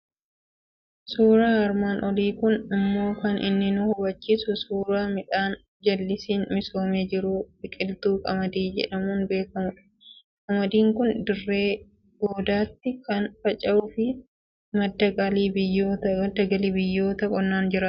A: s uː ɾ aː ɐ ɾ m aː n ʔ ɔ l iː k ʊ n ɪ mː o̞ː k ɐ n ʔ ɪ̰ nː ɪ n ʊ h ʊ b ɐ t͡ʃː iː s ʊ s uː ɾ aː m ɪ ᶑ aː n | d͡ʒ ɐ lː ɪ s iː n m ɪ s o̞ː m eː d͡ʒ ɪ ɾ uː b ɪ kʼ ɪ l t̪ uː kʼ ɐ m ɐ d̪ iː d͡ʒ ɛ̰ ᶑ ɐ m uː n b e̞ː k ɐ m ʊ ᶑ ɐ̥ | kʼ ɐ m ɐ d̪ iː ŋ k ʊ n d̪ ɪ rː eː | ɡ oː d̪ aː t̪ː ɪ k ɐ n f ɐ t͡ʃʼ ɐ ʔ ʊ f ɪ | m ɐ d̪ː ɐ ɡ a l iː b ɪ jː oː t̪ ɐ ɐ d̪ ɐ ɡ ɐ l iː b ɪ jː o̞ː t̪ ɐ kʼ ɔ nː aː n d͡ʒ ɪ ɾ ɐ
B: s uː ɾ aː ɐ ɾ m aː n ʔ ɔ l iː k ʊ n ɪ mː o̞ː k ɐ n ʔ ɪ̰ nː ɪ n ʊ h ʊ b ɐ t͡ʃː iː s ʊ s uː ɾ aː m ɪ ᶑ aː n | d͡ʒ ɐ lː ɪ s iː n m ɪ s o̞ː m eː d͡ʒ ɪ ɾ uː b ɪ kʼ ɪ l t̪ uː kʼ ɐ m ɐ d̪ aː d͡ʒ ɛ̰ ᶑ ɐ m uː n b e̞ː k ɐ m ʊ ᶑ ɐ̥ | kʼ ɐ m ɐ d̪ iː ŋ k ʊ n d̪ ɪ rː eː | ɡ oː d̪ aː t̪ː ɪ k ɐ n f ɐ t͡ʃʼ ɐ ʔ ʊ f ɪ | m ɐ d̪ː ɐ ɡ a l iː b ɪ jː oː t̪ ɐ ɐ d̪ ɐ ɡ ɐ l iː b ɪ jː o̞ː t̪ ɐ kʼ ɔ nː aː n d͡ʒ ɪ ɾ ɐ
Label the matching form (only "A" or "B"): A